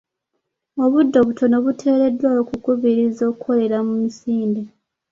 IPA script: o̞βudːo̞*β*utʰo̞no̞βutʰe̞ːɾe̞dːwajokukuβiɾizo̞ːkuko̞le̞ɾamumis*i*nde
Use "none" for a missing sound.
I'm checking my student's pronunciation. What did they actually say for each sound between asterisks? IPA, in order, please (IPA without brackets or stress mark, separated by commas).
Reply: β, iː